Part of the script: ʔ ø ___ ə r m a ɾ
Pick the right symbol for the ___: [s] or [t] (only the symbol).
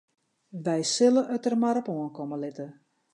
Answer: t